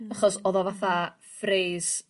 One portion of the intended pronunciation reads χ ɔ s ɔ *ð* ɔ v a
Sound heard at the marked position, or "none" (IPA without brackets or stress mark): ð